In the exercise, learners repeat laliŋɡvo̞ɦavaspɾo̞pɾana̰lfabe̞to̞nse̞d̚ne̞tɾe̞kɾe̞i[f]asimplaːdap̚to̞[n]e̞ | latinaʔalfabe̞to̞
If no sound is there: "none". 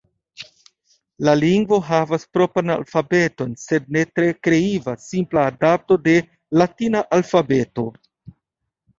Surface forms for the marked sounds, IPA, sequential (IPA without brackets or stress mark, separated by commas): v, d